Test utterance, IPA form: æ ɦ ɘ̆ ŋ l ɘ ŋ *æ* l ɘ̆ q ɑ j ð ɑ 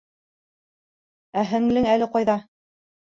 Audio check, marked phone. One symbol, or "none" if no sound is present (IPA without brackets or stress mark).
æ